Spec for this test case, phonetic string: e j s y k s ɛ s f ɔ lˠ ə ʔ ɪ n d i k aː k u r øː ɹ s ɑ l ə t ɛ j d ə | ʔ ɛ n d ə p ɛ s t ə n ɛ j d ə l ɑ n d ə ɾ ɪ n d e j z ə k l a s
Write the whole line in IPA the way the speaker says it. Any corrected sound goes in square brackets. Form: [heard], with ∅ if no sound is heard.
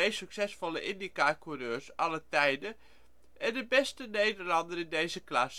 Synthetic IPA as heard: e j s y k s ɛ s f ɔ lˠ ə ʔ ɪ n d i k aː k u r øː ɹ s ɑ l ə t ɛ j d ə | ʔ ɛ n d ə [b] ɛ s t ə n [e] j d ə l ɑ n d ə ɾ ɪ n d e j z ə k l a s